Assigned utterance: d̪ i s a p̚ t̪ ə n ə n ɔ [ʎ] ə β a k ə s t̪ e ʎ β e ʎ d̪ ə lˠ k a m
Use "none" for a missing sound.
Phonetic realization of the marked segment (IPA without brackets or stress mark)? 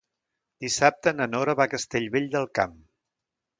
ɾ